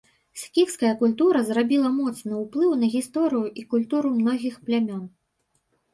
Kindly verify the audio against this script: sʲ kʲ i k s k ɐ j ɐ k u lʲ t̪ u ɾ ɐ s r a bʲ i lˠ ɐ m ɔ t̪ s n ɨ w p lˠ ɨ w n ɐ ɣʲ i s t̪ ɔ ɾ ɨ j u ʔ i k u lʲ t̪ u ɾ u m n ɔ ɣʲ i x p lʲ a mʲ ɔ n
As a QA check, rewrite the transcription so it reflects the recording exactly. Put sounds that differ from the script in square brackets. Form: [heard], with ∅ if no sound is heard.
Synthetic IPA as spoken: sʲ kʲ i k s k ɐ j ɐ k u lʲ t̪ u ɾ ɐ [z] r a bʲ i lˠ ɐ m ɔ t̪ s n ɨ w p lˠ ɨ w n ɐ ɣʲ i s t̪ ɔ ɾ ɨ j u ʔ i k u lʲ t̪ u ɾ u m n ɔ ɣʲ i x p lʲ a mʲ ɔ n